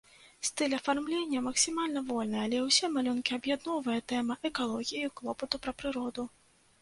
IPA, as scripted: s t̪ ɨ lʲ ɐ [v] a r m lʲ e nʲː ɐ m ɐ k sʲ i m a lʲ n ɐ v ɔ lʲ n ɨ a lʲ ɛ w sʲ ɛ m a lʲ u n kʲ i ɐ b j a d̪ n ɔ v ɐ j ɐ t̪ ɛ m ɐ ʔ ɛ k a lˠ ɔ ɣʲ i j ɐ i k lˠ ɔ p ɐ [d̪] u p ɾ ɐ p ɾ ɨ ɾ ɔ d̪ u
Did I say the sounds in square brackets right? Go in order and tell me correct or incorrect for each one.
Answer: incorrect, incorrect

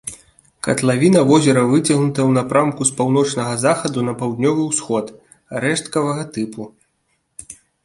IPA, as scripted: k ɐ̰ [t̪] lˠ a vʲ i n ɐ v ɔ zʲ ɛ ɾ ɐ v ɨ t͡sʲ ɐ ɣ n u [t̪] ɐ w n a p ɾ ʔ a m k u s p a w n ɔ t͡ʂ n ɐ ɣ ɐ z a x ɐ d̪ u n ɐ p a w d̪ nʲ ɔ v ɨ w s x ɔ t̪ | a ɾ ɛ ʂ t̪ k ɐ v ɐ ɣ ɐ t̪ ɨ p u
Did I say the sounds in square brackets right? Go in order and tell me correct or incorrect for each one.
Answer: correct, correct

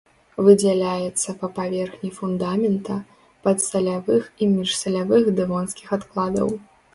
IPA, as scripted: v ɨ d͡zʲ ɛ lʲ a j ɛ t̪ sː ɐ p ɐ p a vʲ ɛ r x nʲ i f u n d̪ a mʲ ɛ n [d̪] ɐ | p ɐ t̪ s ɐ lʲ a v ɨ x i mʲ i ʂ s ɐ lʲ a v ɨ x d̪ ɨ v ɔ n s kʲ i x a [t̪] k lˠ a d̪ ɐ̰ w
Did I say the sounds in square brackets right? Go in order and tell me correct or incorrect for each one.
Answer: incorrect, correct

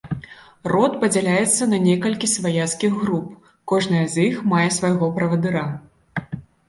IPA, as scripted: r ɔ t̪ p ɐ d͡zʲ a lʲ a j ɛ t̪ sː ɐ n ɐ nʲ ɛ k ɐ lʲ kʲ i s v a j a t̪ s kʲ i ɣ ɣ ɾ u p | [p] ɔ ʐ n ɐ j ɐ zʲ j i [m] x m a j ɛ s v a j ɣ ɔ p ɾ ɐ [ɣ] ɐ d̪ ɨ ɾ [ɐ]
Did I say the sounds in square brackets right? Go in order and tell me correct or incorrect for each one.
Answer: incorrect, incorrect, incorrect, incorrect

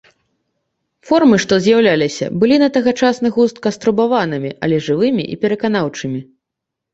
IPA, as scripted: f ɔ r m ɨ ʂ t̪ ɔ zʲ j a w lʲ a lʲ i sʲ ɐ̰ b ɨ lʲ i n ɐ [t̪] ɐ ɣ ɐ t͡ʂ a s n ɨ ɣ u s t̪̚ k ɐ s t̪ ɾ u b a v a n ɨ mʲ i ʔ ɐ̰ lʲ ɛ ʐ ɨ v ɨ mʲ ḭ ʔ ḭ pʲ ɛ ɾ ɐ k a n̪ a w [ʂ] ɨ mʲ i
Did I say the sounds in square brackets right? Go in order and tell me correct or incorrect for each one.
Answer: correct, incorrect

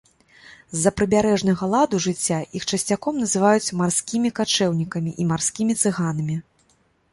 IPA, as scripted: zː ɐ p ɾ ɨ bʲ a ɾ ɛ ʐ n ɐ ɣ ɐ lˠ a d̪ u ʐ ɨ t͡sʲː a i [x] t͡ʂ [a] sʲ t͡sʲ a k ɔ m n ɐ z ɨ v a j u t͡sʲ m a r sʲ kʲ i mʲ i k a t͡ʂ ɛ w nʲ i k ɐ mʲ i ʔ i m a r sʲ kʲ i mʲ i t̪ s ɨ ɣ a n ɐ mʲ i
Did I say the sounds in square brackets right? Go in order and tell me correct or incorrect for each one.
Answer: correct, incorrect

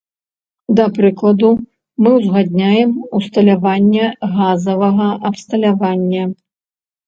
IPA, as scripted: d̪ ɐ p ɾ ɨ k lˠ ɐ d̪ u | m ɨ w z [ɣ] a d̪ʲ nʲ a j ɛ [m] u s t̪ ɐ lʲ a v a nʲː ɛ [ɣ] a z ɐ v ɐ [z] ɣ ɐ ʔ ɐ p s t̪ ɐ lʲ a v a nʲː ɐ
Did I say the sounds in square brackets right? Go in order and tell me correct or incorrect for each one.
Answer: correct, correct, correct, incorrect

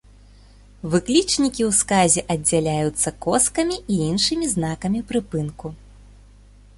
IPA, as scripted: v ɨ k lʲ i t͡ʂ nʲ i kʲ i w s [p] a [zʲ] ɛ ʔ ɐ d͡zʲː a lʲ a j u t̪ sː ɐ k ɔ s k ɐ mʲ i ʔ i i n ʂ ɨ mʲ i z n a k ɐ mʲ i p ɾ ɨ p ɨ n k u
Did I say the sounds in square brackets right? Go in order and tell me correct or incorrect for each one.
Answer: incorrect, correct

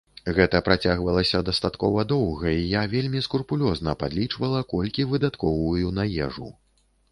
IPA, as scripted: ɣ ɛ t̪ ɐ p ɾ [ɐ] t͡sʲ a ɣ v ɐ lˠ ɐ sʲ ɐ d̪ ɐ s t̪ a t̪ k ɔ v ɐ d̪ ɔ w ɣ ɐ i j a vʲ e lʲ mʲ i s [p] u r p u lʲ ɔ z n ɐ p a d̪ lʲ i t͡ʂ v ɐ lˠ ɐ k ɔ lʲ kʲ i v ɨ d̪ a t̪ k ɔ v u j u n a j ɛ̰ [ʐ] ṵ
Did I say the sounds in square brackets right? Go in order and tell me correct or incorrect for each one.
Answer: incorrect, incorrect, correct

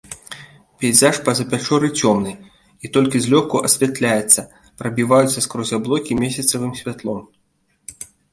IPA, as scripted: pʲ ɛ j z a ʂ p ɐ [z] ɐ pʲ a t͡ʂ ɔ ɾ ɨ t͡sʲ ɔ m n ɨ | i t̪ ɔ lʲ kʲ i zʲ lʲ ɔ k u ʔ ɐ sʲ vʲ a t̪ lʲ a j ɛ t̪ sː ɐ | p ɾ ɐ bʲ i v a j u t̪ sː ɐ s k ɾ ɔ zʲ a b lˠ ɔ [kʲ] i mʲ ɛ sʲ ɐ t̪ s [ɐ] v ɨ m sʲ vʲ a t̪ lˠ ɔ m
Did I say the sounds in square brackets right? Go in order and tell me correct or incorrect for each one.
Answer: correct, correct, correct

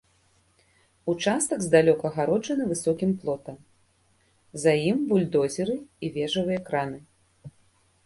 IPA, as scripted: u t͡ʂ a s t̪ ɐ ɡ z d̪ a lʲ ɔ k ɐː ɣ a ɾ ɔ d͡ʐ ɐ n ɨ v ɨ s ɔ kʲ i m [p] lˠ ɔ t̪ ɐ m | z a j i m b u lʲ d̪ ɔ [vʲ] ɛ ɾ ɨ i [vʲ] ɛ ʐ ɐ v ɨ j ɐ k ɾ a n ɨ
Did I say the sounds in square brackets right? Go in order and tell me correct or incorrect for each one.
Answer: correct, incorrect, correct

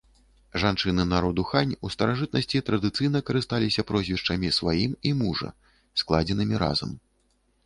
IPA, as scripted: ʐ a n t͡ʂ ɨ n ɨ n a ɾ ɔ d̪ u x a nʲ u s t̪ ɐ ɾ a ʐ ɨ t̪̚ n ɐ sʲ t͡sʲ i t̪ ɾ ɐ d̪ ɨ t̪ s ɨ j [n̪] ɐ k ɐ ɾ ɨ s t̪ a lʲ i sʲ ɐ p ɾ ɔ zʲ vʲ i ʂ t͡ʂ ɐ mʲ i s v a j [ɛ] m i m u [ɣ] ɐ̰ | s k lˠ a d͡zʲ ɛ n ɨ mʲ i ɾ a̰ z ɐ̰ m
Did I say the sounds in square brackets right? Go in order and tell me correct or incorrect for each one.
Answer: correct, incorrect, incorrect

